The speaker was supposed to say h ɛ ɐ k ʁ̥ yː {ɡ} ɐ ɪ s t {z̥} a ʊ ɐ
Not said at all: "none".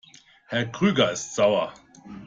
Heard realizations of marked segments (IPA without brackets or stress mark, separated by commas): ɡ, z̥